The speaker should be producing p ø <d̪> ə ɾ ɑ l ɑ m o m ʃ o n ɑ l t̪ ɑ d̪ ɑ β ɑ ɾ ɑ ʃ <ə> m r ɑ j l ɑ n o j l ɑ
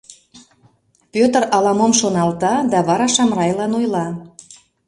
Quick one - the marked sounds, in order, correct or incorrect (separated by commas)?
incorrect, incorrect